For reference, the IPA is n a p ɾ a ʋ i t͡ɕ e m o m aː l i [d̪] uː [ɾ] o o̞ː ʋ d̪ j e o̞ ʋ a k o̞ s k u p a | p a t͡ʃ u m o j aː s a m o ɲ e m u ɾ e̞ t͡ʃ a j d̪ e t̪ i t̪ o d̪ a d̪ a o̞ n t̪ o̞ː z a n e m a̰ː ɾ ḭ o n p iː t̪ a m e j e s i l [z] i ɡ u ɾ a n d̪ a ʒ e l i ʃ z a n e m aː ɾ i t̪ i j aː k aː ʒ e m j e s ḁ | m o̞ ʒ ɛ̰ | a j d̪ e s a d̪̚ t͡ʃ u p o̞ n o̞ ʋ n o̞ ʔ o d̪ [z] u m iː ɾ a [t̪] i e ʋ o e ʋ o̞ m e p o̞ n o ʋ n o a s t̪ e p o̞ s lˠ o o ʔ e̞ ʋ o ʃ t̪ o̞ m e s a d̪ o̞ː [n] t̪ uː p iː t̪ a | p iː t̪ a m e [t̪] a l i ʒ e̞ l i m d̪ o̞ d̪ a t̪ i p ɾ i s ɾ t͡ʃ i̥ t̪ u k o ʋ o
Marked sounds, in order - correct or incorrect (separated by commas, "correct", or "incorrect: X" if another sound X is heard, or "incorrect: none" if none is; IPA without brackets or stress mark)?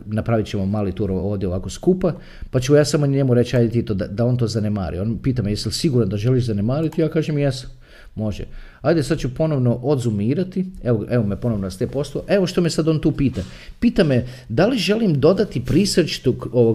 incorrect: t̪, correct, incorrect: s, correct, correct, correct, incorrect: d̪